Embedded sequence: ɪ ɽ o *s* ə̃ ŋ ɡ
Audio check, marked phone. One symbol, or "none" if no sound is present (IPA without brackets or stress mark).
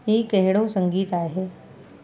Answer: s